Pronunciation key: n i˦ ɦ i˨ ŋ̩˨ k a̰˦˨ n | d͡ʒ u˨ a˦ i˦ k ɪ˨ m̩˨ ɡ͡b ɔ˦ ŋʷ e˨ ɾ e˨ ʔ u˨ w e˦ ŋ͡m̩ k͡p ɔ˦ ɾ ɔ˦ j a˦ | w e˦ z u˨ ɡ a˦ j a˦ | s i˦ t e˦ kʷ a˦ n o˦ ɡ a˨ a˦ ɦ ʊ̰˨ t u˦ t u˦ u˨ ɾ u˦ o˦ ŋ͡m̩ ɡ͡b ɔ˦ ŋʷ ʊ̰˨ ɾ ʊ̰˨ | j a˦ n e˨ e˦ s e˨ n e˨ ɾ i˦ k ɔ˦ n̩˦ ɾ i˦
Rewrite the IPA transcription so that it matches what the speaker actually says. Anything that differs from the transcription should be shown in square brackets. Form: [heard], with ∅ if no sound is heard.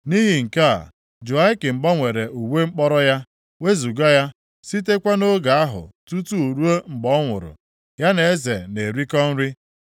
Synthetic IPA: n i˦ ɦ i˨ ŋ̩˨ k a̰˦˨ [∅] | d͡ʒ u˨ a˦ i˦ k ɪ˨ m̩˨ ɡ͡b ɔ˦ ŋʷ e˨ ɾ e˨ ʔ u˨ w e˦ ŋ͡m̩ k͡p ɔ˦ ɾ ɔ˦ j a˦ | w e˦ z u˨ ɡ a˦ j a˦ | s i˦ t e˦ kʷ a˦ n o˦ ɡ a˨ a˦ ɦ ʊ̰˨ t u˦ t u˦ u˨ ɾ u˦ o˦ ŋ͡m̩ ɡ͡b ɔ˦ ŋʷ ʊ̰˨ ɾ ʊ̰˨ | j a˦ n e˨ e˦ [z] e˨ n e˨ ɾ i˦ k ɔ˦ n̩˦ ɾ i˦